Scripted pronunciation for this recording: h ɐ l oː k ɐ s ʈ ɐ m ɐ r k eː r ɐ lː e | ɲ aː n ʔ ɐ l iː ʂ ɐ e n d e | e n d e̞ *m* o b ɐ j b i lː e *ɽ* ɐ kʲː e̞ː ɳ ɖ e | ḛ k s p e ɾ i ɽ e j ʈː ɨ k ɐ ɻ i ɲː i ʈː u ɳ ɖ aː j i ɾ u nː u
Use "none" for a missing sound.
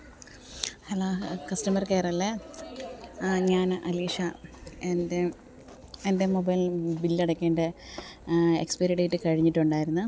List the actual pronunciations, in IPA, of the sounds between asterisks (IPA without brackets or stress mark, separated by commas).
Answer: m, ɽ